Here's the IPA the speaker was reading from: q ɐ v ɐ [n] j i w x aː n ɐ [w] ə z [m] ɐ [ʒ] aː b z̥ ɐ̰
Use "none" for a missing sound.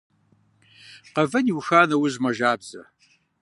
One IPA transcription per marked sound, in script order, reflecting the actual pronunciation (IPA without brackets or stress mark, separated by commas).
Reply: n, w, m, ʒ